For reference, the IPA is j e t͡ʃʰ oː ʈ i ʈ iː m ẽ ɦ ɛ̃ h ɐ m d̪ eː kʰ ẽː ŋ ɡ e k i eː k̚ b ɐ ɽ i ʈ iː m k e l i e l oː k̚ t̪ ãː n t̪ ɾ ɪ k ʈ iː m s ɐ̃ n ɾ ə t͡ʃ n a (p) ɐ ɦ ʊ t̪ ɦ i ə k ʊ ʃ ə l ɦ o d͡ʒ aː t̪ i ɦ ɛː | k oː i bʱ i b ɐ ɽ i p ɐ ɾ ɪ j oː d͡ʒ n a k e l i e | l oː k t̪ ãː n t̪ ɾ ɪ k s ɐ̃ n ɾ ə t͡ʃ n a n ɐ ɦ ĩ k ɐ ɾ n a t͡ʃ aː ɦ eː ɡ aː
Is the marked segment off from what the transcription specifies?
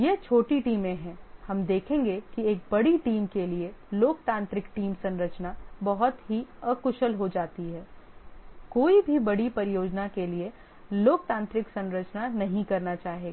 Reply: yes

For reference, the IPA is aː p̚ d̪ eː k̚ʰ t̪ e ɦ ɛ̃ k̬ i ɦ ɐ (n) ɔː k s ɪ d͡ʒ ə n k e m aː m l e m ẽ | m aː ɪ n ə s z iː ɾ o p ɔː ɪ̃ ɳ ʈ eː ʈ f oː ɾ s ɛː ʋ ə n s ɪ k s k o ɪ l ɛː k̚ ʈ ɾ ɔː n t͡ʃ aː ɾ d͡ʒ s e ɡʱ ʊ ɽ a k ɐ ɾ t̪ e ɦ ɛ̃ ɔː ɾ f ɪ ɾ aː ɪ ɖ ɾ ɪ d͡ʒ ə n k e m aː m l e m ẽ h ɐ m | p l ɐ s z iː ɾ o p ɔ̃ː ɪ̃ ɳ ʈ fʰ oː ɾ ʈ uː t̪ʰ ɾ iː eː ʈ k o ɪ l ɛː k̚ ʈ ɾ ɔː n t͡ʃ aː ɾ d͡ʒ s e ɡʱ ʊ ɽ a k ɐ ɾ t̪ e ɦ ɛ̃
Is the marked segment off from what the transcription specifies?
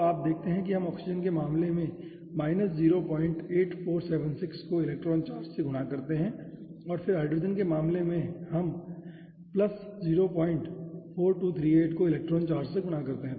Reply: yes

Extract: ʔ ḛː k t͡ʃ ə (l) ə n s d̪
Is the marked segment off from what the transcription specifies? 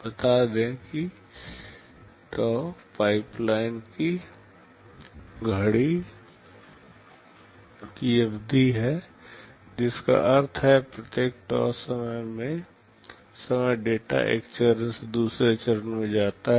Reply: yes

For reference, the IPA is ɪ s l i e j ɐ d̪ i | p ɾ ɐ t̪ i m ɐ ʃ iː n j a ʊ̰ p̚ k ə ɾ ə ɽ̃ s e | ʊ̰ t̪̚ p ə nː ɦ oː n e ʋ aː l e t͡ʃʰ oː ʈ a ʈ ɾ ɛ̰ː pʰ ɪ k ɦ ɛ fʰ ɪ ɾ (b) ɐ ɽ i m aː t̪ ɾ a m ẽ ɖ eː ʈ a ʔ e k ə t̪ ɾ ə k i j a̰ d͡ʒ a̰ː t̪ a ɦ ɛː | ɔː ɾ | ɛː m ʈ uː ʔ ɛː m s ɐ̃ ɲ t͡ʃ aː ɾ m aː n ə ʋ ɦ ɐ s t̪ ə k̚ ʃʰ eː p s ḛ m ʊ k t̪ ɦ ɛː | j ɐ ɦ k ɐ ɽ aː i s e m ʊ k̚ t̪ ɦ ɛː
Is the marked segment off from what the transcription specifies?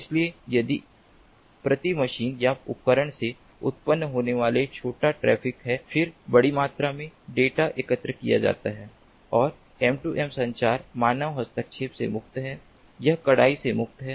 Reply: no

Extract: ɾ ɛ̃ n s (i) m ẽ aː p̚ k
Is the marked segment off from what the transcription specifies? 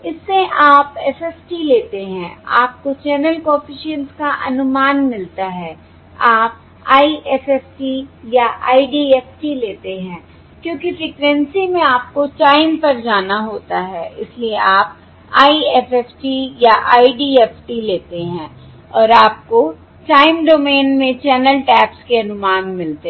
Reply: no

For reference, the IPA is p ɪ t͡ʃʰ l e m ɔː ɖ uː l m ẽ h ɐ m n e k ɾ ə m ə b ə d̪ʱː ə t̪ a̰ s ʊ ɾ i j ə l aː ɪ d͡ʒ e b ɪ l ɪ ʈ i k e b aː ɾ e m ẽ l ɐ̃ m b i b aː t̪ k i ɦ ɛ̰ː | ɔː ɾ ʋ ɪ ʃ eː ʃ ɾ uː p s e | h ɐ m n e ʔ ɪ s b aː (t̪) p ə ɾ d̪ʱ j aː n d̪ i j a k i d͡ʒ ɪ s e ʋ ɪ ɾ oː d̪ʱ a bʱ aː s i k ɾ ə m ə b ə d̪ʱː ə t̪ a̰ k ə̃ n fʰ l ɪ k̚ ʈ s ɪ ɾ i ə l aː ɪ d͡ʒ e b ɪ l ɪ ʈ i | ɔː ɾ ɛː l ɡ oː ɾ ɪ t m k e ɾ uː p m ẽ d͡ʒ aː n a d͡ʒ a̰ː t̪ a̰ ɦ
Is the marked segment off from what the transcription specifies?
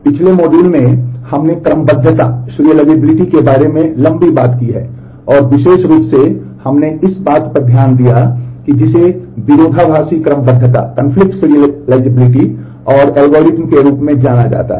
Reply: no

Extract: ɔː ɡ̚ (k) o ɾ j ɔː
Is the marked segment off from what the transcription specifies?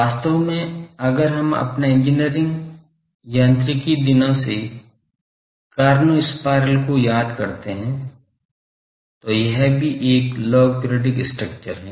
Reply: yes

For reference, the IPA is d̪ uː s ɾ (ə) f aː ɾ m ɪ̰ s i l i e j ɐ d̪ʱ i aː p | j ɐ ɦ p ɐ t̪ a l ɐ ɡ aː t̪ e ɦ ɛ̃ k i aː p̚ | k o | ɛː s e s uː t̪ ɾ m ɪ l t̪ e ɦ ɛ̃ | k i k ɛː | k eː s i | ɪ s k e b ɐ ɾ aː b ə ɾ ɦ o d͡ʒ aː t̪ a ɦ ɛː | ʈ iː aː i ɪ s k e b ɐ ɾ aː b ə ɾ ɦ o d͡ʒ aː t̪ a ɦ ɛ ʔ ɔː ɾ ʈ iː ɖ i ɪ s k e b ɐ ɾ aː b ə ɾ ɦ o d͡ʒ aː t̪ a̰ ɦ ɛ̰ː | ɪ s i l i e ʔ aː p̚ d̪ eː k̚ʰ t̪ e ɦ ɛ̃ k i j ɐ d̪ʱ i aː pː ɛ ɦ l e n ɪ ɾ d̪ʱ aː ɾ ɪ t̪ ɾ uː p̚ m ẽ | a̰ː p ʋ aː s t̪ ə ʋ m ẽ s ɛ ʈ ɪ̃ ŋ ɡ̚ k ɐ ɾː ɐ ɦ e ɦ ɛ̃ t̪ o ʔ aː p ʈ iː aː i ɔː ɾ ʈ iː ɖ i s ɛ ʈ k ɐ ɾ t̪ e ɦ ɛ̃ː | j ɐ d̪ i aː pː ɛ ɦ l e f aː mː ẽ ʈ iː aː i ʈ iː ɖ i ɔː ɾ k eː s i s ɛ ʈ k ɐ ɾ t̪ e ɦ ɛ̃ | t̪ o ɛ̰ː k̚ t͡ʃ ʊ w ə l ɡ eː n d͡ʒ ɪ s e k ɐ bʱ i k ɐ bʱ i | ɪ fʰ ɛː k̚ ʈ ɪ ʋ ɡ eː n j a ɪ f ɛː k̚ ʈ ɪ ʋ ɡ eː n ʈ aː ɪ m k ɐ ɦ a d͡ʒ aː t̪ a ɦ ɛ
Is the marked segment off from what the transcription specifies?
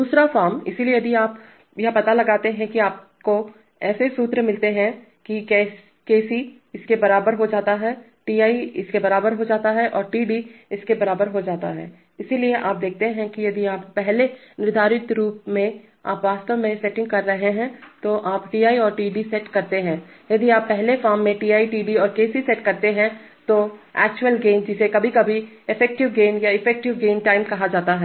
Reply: yes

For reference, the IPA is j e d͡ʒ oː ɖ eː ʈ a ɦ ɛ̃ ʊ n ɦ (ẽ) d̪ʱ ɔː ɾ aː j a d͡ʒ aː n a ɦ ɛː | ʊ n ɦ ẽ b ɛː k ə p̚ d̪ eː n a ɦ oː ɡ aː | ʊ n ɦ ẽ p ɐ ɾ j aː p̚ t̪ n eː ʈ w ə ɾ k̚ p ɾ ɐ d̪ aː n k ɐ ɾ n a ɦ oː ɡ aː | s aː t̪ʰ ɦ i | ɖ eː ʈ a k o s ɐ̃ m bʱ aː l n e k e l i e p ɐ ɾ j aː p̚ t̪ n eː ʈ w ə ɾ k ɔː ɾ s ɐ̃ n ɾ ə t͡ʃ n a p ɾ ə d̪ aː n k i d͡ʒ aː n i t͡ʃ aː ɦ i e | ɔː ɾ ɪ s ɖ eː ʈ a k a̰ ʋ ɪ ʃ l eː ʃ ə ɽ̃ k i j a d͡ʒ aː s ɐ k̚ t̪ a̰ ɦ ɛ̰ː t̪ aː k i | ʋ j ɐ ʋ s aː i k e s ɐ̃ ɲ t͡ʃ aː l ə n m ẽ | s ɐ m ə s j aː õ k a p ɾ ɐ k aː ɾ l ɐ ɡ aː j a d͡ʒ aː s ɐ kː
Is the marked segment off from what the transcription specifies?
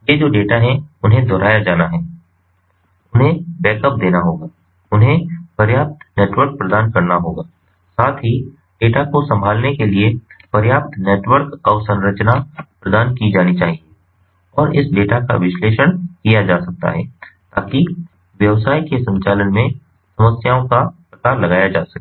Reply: no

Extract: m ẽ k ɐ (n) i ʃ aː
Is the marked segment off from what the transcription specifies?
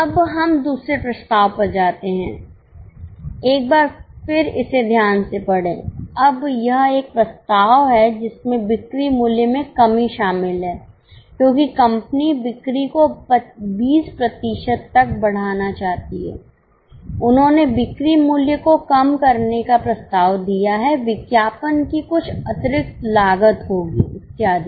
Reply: yes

